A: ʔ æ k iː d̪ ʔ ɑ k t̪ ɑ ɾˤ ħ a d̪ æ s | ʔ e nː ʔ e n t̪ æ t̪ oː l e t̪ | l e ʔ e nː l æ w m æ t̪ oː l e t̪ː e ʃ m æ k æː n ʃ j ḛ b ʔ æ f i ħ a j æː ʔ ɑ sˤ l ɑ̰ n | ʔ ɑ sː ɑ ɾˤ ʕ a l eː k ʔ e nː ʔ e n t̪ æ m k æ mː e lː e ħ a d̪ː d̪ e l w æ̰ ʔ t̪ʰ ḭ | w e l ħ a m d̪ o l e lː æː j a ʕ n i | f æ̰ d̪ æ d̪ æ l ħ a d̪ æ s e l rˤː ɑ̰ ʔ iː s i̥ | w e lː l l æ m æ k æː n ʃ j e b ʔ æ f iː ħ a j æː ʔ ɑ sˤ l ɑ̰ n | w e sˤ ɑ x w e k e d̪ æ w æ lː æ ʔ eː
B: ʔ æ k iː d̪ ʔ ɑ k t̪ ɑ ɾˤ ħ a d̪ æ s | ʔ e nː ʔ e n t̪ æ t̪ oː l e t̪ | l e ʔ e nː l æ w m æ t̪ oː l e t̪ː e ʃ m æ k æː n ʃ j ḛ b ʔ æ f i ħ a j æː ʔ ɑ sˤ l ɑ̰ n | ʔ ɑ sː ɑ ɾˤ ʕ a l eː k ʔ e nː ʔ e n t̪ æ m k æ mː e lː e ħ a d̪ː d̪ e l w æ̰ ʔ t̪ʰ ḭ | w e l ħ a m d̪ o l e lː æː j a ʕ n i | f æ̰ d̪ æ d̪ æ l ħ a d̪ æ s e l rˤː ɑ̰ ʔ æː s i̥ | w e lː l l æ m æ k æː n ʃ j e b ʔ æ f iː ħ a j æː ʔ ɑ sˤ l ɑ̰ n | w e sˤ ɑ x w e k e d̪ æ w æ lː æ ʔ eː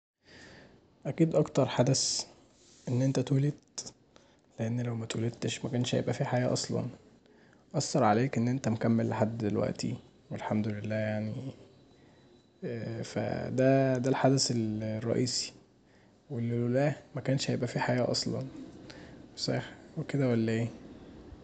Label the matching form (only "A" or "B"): A